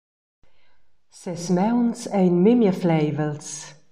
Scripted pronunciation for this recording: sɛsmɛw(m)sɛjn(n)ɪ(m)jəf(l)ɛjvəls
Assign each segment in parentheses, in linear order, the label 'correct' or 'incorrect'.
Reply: incorrect: n, incorrect: m, correct, correct

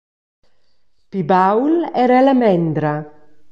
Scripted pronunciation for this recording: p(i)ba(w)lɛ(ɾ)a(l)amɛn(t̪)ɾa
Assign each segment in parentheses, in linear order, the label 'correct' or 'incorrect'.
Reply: correct, correct, correct, correct, incorrect: d̪

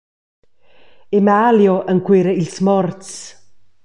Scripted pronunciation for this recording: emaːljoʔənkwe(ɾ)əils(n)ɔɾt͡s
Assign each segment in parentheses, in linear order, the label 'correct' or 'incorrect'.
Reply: correct, incorrect: m

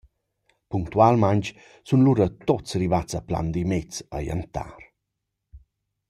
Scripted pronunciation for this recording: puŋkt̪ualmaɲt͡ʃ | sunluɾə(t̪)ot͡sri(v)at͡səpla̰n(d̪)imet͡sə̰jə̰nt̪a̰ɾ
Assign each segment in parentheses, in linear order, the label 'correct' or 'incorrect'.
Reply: correct, correct, correct

